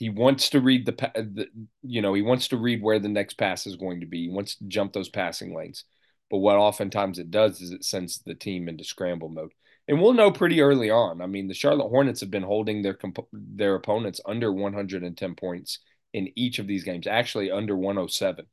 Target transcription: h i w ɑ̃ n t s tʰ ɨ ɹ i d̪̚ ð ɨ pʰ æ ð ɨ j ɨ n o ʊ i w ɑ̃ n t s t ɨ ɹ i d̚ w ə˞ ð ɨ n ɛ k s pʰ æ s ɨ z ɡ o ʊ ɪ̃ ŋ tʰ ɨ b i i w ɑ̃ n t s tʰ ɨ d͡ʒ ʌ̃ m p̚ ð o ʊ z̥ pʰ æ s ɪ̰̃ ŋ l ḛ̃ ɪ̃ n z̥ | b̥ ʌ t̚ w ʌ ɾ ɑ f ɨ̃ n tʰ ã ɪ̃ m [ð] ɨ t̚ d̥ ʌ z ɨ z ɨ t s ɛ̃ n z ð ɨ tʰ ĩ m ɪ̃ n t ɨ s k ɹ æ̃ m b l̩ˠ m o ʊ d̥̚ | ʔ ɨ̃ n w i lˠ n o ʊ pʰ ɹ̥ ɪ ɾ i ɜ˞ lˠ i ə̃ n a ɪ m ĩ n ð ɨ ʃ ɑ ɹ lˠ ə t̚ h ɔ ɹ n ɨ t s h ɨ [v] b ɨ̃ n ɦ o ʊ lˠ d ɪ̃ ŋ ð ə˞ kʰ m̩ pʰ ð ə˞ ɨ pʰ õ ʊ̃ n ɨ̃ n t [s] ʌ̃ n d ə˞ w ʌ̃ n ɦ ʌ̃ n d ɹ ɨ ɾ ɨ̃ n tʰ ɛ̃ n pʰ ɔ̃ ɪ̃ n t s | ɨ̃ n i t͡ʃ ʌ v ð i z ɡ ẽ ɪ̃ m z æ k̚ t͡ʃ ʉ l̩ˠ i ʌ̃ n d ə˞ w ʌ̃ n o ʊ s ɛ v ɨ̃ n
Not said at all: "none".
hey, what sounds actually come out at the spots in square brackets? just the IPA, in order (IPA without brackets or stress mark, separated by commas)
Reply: z, v, s